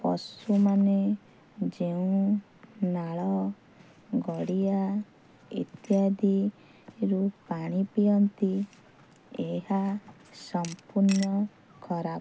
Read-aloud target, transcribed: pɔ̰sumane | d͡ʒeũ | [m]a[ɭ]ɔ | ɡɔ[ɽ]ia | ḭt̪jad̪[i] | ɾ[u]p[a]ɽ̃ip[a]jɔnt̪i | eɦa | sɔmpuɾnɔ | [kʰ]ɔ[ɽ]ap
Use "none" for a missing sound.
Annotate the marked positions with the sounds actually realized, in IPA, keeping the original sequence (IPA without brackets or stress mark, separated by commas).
n, ɭ, ɽ, i, u, a, i, kʰ, ɾ